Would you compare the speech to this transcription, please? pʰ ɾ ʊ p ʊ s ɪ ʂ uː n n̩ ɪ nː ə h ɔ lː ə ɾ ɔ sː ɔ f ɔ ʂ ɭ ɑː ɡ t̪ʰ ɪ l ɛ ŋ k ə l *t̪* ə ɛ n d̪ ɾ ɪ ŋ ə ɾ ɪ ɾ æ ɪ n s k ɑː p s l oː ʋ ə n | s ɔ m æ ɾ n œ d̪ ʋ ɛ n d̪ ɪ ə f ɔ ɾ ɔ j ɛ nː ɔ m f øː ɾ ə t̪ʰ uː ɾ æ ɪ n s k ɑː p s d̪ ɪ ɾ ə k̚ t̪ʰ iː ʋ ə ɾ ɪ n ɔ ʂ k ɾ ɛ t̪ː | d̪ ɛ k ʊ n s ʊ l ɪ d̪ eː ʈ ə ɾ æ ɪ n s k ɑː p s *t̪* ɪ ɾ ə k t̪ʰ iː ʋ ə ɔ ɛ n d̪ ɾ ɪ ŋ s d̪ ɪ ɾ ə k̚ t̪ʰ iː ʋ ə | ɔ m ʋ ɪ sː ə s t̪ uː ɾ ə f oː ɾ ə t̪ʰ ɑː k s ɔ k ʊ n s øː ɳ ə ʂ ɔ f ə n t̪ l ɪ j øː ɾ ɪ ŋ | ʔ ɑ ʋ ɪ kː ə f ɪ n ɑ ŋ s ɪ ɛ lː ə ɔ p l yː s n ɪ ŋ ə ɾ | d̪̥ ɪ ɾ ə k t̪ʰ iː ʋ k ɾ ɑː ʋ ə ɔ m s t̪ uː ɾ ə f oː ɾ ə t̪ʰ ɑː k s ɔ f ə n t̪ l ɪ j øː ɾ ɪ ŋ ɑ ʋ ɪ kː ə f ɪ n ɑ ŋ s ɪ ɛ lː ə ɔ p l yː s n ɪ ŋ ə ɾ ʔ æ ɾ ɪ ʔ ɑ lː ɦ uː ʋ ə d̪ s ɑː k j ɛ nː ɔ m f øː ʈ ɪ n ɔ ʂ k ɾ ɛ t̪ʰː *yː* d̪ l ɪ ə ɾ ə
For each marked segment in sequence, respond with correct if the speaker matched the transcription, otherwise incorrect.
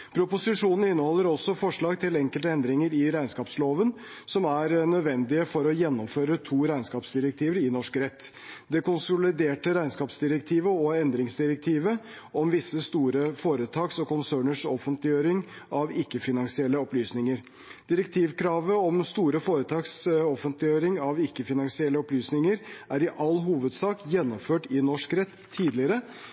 correct, incorrect, incorrect

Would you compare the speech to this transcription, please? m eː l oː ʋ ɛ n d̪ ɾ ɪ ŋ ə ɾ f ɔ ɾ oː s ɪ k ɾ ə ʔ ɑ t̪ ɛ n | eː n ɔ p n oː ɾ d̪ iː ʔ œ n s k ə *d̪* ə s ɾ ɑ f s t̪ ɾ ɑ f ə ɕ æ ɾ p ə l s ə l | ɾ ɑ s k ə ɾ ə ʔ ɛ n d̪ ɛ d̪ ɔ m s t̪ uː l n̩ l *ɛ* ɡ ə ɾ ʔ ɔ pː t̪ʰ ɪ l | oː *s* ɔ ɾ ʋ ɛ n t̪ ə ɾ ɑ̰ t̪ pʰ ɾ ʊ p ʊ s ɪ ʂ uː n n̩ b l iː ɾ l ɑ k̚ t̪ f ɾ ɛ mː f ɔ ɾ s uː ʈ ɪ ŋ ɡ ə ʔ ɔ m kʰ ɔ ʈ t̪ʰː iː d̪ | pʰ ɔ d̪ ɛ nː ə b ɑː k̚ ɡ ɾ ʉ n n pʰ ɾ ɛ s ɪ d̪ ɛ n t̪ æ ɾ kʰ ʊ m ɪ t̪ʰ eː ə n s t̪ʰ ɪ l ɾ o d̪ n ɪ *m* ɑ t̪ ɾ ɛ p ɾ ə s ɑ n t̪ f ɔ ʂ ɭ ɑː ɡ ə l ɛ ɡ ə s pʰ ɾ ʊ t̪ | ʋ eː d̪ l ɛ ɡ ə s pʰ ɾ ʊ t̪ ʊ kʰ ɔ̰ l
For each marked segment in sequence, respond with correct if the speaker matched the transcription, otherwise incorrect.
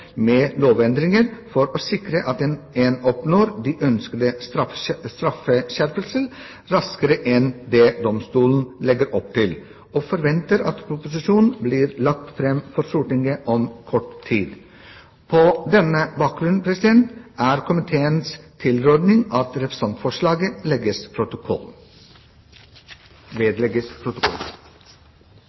correct, correct, incorrect, incorrect

